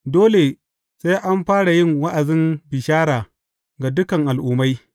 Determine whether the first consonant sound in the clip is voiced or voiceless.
voiced